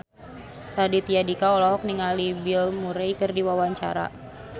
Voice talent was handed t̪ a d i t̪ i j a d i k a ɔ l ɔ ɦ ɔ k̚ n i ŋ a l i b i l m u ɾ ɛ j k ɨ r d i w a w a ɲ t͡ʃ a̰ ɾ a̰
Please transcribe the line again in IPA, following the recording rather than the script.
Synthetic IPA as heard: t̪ a d i t̪ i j a d i k a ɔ l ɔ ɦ ɔ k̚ n i ŋ a l i b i l m u ɾ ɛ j k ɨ r d i w a w a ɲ t͡ʃ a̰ ɾ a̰